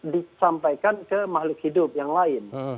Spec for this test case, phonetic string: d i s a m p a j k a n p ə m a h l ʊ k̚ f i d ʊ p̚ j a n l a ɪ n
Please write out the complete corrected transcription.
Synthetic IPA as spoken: d i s a m p a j k a n k ə m a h l ʊ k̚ h i d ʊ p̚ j a ŋ l a ɪ n